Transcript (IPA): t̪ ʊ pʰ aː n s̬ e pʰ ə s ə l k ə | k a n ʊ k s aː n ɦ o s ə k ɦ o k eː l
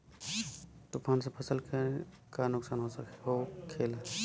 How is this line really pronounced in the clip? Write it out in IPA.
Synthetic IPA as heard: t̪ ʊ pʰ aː n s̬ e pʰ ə s ə l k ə | k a n ʊ k s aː n ɦ o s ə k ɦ o kʰ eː l

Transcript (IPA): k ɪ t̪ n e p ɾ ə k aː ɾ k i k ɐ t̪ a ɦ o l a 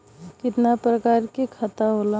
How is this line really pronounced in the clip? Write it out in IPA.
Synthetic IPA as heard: k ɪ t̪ n a p ɾ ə k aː ɾ k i kʰ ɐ t̪ a ɦ o l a

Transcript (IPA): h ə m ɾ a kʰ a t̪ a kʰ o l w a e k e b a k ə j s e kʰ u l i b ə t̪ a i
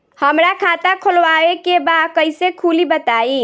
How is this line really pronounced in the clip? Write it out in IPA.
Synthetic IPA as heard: h ə m ɾ a kʰ a t̪ a kʰ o l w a e k e b a k ə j s e kʰ u l i b ə t̪ a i

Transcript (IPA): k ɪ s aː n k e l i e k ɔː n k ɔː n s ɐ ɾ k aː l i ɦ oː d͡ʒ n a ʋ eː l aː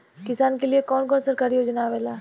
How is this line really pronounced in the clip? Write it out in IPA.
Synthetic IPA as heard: k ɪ s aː n k e l i e k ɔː n k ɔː n s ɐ ɾ k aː ɾ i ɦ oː d͡ʒ n a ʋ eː l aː

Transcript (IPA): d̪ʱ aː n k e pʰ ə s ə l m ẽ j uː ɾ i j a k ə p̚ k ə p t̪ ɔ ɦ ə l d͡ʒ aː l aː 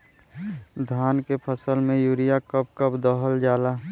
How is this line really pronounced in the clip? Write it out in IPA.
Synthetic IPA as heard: d̪ʱ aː n k e pʰ ə s ə l m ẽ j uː ɾ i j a k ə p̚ k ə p d̪ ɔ ɦ ə l d͡ʒ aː l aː

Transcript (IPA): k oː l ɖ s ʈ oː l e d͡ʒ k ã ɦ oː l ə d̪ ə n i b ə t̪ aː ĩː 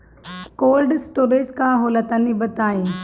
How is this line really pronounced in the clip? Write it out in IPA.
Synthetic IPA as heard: k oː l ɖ s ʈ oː ɾ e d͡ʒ k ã ɦ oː l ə t̪ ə n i b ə t̪ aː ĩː

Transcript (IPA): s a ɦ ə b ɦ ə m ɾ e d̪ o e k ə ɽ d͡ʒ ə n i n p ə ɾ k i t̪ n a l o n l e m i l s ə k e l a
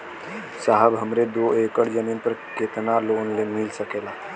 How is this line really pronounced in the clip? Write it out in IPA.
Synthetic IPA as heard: s a ɦ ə b ɦ ə m ɾ e d̪ o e k ə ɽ d͡ʒ ə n i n p ə ɾ k e t̪ n a l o n l e m i l s ə k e l a

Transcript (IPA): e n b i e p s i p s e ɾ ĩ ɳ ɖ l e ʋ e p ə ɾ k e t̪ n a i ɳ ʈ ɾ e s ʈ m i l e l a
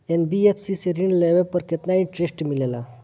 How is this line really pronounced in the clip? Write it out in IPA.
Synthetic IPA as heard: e n b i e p s i s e ɾ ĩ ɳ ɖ l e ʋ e p ə ɾ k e t̪ n a i ɳ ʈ ɾ e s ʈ m i l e l a

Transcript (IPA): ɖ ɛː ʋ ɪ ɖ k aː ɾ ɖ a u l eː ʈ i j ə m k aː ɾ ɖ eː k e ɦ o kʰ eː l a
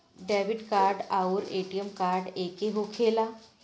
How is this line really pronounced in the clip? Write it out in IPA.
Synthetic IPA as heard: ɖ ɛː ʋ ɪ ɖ k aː ɾ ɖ a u ɾ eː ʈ i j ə m k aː ɾ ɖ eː k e ɦ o kʰ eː l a

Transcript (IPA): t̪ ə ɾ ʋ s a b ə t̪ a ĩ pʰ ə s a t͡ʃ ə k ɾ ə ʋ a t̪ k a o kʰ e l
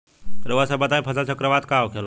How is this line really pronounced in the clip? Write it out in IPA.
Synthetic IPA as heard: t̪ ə ɾ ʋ s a b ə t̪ a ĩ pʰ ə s a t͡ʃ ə k ɾ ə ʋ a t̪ k a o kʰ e l

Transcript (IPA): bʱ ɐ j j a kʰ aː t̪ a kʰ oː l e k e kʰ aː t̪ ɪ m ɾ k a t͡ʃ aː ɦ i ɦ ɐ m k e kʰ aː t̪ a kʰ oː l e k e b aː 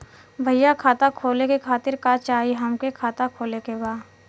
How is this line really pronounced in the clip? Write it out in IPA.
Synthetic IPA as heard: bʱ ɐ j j a kʰ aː t̪ a kʰ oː l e k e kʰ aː t̪ ɪ ɾ k a t͡ʃ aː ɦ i ɦ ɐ m k e kʰ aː t̪ a kʰ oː l e k e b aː

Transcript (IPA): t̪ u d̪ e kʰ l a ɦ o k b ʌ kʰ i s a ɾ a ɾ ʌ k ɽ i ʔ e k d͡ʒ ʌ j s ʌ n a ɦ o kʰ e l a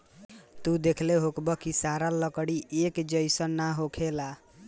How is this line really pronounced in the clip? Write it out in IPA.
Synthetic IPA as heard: t̪ u d̪ e kʰ l e ɦ o k b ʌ k i s a ɾ a l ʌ k ɽ i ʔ e k d͡ʒ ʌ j s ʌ n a ɦ o kʰ e l a

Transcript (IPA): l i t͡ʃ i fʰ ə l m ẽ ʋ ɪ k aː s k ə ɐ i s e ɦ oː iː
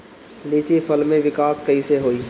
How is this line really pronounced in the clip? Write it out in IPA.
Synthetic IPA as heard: l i t͡ʃ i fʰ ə l m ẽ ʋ ɪ k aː s k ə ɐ i s e ɦ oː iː

